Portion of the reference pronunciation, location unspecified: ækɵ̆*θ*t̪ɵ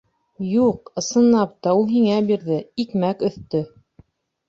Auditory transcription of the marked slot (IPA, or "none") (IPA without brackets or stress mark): θ